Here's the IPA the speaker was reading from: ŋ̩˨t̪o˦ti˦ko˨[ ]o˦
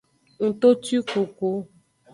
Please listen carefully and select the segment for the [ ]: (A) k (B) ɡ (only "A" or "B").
A